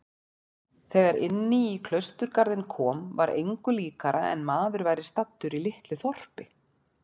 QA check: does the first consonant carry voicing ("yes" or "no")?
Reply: no